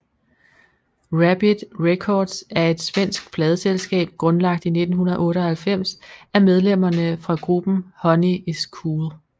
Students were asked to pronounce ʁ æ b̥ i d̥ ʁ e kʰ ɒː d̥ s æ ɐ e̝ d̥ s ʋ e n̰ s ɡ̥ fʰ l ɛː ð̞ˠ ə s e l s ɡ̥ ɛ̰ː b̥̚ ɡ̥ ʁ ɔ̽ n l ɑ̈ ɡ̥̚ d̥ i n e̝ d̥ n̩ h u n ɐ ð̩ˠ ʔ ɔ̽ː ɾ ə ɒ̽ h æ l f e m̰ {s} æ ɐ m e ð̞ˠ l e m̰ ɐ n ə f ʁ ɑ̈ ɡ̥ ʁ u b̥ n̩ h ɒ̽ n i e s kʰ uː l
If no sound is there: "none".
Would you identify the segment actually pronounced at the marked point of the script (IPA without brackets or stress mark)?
s